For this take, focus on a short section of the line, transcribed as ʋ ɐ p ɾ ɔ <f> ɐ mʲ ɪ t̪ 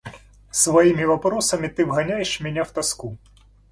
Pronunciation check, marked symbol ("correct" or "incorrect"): incorrect